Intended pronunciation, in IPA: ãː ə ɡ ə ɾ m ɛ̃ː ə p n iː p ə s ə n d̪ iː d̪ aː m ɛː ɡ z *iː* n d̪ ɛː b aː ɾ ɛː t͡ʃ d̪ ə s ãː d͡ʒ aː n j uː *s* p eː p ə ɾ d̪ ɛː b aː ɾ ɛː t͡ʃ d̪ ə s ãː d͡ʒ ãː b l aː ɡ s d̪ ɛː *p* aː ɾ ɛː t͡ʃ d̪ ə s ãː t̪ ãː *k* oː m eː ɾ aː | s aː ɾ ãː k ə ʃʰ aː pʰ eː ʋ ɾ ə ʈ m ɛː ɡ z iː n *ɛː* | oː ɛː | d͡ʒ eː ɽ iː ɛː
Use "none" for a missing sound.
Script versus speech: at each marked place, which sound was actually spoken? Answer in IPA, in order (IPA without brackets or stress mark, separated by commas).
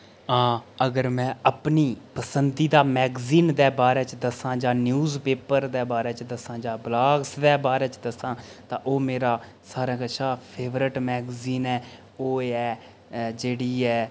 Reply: iː, z, b, ʔ, ɛː